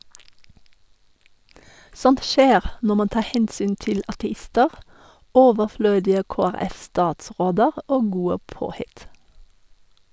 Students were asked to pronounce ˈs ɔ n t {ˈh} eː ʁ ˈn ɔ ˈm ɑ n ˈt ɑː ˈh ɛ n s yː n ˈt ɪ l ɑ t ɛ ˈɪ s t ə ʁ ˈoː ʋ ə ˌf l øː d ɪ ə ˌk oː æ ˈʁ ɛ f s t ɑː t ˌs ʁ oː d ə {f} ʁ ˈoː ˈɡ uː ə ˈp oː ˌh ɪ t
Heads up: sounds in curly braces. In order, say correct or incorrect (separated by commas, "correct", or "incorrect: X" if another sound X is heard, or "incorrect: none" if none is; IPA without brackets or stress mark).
incorrect: ʃ, incorrect: none